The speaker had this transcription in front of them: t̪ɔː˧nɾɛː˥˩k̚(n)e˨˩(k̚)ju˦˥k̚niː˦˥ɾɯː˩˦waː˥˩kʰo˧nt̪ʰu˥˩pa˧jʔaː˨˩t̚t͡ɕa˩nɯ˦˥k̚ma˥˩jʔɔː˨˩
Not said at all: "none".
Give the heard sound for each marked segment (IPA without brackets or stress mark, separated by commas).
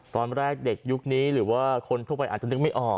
d, k̚